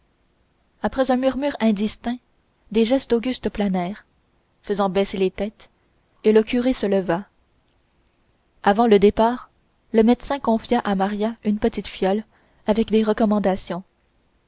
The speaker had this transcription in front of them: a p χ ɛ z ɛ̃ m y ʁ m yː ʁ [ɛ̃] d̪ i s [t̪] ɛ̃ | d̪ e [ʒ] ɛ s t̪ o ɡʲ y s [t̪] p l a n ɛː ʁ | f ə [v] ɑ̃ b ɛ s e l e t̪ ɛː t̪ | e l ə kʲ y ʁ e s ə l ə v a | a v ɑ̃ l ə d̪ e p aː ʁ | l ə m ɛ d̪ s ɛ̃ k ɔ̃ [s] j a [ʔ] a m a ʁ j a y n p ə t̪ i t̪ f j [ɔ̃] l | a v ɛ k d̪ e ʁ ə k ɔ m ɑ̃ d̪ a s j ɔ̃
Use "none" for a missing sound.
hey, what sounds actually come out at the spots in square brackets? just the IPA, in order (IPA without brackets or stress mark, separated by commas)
ɛ̃, t̪, ʒ, t̪, z, f, ʔ, ɔ